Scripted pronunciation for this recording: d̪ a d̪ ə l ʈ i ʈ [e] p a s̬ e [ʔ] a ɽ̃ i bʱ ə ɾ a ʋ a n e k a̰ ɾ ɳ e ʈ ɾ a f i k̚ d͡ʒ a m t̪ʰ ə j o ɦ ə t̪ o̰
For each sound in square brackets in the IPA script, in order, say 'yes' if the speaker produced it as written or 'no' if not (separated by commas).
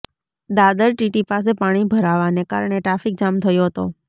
no, no